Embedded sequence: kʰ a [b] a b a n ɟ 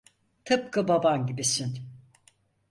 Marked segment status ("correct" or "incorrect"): correct